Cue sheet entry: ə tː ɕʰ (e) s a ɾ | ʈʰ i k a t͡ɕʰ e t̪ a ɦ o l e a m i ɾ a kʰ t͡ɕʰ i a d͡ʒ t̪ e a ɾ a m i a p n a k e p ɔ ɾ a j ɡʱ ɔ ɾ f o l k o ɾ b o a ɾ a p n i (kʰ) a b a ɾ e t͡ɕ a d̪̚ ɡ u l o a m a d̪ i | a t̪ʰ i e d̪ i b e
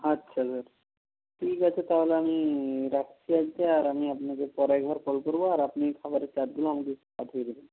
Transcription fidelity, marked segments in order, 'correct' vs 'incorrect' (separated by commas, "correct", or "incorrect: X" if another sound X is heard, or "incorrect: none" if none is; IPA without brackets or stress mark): incorrect: a, correct